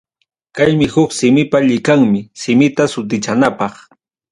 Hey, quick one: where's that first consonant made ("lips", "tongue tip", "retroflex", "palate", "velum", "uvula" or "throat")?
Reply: velum